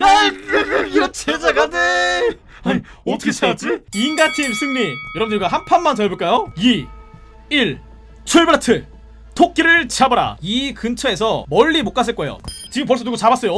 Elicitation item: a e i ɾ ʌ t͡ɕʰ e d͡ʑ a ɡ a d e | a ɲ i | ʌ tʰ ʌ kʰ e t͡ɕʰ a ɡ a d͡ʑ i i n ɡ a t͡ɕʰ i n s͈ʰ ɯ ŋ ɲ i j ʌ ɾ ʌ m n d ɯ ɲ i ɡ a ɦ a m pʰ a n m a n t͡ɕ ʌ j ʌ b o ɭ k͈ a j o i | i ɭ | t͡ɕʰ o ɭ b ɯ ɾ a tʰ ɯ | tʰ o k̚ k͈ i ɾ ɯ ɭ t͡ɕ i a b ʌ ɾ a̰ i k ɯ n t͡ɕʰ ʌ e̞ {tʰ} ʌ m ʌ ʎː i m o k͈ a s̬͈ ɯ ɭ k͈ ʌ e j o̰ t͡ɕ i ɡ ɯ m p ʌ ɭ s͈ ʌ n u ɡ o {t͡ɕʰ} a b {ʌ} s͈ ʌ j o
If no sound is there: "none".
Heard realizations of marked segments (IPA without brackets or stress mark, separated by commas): sʰ, t͡ɕ, a